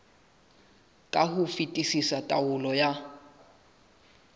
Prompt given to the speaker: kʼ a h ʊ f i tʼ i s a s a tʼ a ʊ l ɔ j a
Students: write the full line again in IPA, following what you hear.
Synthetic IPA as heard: kʼ a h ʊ f i tʼ i s i s a tʼ a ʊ l ɔ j a

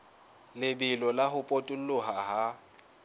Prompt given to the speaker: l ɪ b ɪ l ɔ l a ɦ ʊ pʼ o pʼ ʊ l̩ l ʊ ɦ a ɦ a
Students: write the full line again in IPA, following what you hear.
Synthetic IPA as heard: l ɪ b ɪ l ɔ l a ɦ ʊ pʼ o tʼ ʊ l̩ l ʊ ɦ a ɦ a

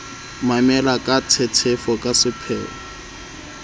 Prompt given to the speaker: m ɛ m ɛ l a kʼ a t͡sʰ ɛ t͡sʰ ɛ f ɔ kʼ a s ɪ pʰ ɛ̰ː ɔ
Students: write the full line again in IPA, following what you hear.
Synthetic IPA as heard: m a m ɛ l a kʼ a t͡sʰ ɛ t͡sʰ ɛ f ɔ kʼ a s ɪ pʰ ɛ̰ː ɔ

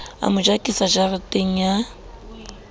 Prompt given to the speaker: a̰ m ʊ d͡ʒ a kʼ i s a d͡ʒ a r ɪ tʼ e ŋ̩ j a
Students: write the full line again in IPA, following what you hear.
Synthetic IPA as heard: a̰ m ʊ d͡ʒ a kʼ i s a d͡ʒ a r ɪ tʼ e ŋ̩ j a

